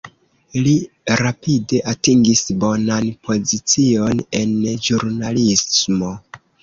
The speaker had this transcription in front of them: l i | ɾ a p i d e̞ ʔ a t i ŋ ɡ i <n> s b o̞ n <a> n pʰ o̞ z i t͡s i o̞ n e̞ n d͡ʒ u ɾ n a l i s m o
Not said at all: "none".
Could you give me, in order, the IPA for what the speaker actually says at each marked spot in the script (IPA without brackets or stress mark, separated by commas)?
none, a